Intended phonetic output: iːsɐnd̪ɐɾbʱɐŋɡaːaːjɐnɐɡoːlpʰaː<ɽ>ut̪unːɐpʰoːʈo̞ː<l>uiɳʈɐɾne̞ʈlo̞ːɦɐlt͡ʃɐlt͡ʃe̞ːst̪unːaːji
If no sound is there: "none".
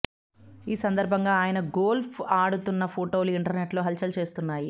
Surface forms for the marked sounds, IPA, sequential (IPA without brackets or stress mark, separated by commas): ɽ, l